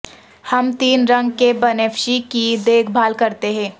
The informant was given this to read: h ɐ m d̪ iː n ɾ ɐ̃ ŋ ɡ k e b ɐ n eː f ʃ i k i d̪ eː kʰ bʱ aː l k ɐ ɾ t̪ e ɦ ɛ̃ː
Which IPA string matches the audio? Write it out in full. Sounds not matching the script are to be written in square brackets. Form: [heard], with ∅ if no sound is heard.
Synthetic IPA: h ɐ m [t̪] iː n ɾ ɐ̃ ŋ ɡ k e b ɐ n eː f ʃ i k i d̪ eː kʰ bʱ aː l k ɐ ɾ t̪ e ɦ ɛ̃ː